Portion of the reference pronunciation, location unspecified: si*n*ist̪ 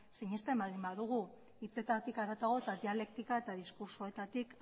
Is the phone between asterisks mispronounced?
yes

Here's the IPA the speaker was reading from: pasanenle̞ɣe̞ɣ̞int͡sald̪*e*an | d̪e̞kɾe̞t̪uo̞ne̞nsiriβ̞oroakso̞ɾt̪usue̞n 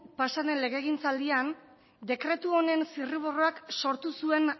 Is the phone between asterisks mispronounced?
yes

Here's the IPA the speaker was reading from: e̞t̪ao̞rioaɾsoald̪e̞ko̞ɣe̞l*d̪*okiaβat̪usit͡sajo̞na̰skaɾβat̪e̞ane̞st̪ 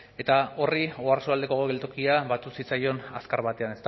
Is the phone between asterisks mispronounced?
yes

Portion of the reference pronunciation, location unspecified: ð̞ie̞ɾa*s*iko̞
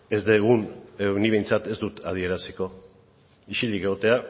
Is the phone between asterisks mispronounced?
no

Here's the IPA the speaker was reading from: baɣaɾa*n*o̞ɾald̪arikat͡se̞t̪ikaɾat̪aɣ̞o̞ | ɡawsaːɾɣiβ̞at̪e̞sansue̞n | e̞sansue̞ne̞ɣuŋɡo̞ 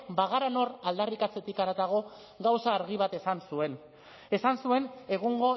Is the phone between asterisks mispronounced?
no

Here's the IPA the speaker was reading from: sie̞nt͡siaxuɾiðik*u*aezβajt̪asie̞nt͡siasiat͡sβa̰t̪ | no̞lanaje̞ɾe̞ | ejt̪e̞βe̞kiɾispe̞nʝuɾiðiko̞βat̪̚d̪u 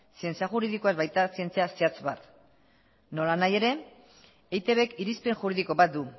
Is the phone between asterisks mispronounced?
yes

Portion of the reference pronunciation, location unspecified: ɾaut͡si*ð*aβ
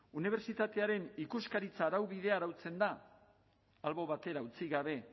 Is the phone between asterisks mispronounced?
yes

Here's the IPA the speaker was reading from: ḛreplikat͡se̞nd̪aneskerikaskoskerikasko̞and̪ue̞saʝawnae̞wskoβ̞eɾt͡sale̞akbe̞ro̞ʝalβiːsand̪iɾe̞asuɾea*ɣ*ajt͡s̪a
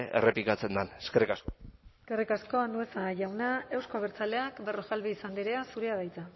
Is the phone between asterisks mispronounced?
yes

